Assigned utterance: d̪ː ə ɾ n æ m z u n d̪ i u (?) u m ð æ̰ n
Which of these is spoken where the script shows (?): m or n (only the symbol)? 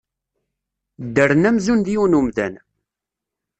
n